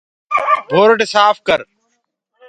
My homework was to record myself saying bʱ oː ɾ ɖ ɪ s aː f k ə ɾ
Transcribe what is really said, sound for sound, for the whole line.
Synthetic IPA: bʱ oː ɾ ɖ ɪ s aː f k ə ɾ